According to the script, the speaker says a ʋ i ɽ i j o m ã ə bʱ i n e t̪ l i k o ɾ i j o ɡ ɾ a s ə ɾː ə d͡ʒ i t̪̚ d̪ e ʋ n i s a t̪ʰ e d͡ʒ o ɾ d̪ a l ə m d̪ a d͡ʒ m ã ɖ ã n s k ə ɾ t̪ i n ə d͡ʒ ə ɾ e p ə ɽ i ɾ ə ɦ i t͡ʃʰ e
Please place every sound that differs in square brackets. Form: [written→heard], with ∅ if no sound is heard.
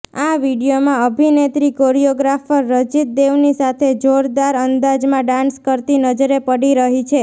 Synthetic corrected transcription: a ʋ i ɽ i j o m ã ə bʱ i n e t̪ [l→ɾ] i k o ɾ i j o ɡ ɾ a [s→f] ə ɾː ə d͡ʒ i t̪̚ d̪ e ʋ n i s a t̪ʰ e d͡ʒ o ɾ d̪ a [l→ɾ] ə [m→n] d̪ a d͡ʒ m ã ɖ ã n s k ə ɾ t̪ i n ə d͡ʒ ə ɾ e p ə ɽ i ɾ ə ɦ i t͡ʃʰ e